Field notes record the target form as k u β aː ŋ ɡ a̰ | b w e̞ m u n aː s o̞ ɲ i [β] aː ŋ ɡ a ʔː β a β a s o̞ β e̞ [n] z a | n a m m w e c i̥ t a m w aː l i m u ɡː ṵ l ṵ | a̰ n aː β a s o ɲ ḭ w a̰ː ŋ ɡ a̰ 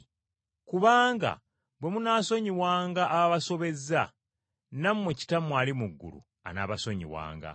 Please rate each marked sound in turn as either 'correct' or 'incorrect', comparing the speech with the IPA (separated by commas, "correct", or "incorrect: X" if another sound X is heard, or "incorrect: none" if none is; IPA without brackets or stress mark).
incorrect: w, incorrect: none